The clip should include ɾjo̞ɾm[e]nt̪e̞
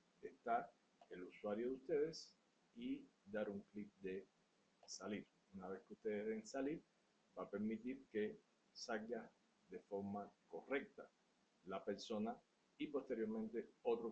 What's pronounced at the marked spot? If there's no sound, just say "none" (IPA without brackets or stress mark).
ẽ